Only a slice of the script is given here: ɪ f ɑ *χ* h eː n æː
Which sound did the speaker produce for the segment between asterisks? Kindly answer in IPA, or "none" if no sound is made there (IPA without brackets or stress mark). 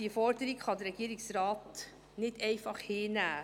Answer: χ